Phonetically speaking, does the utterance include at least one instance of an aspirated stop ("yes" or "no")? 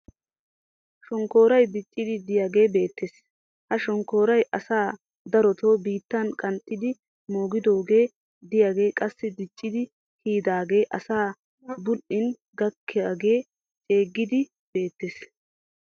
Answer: no